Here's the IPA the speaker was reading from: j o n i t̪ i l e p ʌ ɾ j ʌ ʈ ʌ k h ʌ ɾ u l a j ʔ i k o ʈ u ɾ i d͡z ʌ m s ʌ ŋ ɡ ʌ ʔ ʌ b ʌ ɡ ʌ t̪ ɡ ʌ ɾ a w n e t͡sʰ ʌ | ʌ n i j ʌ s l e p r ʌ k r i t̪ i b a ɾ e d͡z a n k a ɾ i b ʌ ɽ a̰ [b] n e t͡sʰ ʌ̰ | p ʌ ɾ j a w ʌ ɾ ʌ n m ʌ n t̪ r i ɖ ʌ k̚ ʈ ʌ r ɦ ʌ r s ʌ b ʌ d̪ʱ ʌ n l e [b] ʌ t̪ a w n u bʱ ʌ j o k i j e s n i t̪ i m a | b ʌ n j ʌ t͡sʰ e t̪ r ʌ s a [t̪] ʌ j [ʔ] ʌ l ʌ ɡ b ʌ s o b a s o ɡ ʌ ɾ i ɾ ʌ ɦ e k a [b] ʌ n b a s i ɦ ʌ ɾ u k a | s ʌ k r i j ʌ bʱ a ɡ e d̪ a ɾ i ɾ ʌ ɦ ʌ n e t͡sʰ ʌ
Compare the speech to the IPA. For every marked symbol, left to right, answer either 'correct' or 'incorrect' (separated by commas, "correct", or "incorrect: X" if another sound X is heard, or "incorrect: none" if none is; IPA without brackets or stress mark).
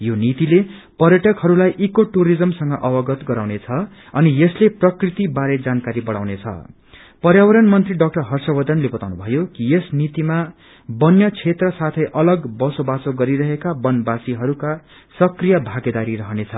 incorrect: w, correct, incorrect: t̪ʰ, correct, correct